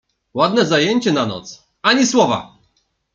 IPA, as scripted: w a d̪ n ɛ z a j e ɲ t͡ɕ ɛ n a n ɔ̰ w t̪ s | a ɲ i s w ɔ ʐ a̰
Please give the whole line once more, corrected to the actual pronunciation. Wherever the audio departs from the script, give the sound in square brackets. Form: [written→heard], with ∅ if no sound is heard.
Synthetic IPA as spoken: w a d̪ n ɛ z a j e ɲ t͡ɕ ɛ n a n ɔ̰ [w→∅] t̪ s | a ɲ i s w ɔ [ʐ→v] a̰